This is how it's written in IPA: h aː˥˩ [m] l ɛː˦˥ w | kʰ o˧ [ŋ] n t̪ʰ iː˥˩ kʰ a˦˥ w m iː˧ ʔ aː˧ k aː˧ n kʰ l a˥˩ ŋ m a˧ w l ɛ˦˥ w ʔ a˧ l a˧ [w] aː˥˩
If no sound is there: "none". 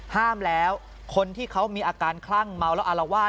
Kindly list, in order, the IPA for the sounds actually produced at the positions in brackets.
m, none, w

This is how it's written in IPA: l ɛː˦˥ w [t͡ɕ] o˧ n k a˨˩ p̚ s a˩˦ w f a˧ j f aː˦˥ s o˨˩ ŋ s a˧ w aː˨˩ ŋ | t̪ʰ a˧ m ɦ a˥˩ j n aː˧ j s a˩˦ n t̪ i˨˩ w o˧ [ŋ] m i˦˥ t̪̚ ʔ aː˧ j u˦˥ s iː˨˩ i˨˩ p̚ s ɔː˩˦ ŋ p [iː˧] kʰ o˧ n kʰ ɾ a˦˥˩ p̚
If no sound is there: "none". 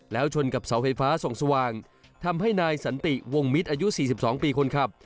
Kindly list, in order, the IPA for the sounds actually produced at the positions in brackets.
t͡ɕʰ, ŋ, iː˧

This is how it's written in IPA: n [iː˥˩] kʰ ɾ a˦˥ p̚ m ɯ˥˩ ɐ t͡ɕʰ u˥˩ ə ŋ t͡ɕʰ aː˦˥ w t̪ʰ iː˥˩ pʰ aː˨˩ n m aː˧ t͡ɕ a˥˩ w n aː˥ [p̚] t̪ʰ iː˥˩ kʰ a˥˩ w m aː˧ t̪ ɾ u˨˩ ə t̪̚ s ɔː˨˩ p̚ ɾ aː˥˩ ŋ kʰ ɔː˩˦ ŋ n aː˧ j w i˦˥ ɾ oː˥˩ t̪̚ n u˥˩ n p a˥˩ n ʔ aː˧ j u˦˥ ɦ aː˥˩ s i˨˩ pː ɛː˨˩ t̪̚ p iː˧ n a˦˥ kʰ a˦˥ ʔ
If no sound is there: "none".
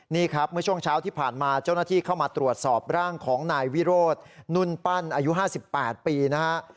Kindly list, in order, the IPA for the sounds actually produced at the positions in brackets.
iː˥˩, none

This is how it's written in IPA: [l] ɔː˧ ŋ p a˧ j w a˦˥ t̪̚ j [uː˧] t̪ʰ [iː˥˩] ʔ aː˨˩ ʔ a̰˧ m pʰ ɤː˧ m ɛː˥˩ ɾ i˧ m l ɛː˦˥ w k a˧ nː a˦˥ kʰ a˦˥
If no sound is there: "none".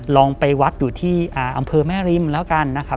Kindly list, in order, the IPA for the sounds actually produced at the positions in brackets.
l, uː˨˩, iː˥˩

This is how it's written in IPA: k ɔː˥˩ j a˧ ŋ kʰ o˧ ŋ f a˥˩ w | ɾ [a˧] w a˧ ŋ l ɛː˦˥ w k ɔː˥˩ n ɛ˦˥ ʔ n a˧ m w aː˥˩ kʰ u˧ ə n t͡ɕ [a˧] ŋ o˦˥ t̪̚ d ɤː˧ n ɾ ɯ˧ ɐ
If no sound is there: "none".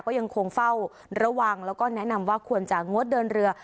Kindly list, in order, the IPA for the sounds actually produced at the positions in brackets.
a˧, a˨˩

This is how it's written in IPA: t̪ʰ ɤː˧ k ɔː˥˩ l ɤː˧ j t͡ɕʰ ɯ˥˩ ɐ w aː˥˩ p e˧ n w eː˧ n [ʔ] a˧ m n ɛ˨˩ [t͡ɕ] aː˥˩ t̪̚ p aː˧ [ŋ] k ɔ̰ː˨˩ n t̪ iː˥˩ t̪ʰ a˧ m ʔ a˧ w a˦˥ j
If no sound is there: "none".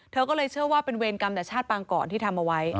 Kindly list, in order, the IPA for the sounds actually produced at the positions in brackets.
k, t͡ɕʰ, ŋ

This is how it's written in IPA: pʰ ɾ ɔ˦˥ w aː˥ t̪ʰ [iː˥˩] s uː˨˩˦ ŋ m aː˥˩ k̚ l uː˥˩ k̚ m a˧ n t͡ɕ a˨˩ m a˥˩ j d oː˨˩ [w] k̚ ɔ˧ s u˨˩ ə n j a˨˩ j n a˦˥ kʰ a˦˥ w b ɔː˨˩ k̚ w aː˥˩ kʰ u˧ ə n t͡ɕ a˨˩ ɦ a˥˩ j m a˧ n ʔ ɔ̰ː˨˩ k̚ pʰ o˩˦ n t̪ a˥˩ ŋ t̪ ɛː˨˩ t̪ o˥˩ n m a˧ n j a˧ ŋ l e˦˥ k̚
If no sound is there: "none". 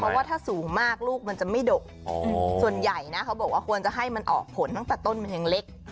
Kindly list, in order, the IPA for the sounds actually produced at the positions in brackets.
aː˥˩, none

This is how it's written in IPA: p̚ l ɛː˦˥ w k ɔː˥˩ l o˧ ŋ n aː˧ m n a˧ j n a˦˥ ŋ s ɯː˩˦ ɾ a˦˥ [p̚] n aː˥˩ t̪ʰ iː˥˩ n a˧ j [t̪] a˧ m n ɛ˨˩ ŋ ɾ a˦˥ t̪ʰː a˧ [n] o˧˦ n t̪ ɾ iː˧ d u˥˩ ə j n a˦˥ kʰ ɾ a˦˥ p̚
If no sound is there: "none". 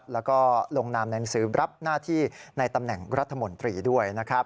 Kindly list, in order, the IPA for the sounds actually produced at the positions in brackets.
p̚, t̪, m

